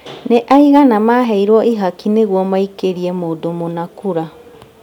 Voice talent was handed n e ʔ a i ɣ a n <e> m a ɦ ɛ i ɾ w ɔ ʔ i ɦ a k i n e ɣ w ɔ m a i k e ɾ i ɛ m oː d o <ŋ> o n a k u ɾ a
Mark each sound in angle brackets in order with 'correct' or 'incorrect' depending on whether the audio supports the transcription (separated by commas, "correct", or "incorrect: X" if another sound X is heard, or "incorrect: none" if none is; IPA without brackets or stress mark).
incorrect: a, incorrect: m